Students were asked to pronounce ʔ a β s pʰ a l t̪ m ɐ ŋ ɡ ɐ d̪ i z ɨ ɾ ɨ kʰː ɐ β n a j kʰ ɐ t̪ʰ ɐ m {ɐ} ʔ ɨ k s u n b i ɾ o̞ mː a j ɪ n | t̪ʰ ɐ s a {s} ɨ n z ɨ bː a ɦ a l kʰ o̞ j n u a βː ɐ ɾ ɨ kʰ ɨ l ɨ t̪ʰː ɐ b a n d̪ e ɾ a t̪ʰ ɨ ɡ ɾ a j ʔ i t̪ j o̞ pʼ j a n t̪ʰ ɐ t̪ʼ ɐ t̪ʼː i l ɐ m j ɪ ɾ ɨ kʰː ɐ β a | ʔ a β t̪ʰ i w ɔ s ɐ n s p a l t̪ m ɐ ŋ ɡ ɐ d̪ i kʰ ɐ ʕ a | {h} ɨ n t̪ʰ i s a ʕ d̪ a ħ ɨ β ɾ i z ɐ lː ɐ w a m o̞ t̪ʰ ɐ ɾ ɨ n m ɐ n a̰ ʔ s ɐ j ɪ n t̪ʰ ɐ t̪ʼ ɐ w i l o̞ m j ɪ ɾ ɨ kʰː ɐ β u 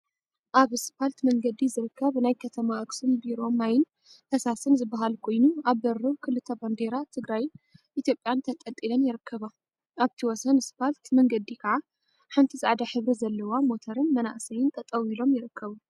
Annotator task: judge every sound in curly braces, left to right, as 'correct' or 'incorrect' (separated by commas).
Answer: incorrect, correct, incorrect